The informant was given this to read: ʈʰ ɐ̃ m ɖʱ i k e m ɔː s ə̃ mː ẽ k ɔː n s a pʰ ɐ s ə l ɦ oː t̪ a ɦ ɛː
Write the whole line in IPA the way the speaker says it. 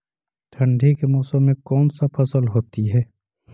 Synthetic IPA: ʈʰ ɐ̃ ɳ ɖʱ i k e m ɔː s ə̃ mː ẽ k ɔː n s a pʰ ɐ s ə l ɦ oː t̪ i ɦ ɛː